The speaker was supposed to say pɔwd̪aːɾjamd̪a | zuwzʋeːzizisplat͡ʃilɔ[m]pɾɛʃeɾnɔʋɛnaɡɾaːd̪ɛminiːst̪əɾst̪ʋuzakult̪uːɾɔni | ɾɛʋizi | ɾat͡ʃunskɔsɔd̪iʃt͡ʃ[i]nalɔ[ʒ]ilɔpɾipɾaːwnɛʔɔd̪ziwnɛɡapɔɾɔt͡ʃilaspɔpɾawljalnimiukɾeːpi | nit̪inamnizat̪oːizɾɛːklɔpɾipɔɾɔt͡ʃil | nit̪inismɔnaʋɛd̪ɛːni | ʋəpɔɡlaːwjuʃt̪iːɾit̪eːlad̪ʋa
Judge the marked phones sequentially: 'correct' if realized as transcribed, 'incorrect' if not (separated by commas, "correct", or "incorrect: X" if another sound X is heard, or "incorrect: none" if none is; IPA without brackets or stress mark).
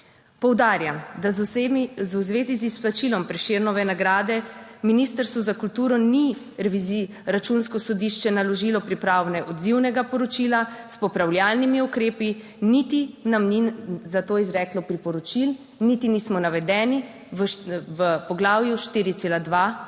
correct, incorrect: ɛ, correct